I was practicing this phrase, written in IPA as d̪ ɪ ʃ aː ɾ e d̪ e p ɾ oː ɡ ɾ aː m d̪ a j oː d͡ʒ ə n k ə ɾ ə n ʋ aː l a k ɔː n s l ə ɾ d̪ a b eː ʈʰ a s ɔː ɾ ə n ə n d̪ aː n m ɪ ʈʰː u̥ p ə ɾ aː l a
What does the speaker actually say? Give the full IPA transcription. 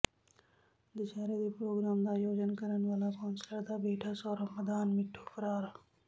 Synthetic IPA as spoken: d̪ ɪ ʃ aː ɾ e d̪ e p ɾ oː ɡ ɾ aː m d̪ a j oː d͡ʒ ə n k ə ɾ ə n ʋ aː l a k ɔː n s l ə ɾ d̪ a b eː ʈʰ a s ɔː ɾ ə m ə d̪ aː n m ɪ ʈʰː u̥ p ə ɾ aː ɾ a